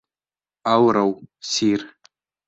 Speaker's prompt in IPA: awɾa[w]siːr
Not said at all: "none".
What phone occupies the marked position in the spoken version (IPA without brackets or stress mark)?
w